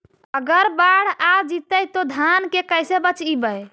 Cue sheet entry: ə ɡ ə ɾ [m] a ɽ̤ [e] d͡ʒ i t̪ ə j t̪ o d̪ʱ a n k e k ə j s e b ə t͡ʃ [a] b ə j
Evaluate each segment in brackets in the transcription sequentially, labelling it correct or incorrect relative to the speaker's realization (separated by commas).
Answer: incorrect, incorrect, incorrect